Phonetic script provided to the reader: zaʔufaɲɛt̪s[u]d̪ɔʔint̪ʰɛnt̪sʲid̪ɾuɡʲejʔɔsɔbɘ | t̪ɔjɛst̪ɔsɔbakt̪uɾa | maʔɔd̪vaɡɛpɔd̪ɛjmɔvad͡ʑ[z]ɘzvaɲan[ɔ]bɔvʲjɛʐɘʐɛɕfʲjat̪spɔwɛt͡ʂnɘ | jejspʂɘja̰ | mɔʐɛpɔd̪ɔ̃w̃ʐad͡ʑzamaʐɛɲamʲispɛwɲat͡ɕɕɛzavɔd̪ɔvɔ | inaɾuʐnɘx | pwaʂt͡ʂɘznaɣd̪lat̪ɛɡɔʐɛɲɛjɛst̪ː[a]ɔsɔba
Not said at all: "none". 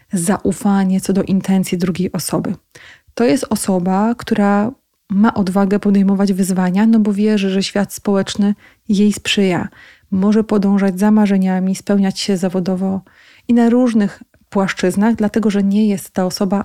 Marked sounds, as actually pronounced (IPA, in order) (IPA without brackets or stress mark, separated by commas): ɔ, v, ɔ, a